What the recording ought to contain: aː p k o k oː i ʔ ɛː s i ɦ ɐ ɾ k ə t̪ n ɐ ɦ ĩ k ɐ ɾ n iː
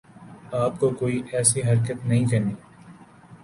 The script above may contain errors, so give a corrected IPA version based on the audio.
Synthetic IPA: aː p k o k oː i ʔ ɛː s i ɦ ɐ ɾ k ə t̪ n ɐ ɦ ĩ k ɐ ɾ n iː